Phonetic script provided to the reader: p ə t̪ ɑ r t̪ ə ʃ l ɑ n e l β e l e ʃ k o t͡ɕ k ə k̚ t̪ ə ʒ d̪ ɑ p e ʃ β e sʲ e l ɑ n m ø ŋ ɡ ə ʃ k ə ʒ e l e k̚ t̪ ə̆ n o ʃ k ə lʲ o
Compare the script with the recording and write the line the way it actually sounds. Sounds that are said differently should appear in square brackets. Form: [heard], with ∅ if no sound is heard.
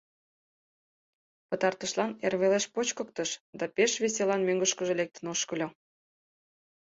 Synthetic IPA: p ə t̪ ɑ r t̪ ə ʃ l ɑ n e [r] β e l e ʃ [p] o t͡ɕ k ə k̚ t̪ ə [ʃ] d̪ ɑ p e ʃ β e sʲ e l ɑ n m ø ŋ ɡ ə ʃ k ə ʒ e l e k̚ t̪ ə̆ n o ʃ k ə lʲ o